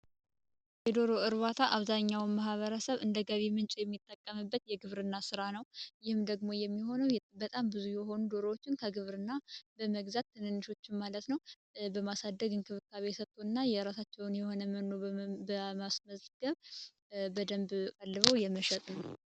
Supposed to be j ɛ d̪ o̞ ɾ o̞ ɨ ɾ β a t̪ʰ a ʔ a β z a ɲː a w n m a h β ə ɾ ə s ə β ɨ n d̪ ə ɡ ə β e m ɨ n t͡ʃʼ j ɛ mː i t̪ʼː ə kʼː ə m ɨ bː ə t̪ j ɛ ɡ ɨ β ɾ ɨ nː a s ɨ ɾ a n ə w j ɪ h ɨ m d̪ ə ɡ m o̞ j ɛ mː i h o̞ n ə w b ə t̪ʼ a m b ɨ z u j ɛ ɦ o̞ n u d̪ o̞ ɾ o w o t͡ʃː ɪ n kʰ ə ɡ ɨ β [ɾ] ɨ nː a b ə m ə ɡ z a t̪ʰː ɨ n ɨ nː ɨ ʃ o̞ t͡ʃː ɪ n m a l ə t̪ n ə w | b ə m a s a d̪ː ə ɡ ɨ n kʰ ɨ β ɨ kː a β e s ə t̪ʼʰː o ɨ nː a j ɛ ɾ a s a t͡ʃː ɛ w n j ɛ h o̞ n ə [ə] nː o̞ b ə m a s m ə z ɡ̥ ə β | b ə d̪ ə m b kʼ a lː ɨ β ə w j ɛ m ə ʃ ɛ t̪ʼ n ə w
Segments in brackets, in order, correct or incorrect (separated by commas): correct, correct